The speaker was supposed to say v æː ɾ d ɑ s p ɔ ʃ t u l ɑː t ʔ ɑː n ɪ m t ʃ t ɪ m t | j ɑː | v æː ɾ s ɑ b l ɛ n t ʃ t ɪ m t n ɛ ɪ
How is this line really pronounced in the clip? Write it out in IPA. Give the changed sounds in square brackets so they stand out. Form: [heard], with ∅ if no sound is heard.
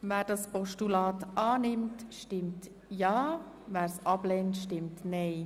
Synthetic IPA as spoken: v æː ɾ d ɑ s p ɔ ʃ t u l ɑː t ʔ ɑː n ɪ m t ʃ t ɪ m t | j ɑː | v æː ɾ s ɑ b l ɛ n t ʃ t ɪ m t n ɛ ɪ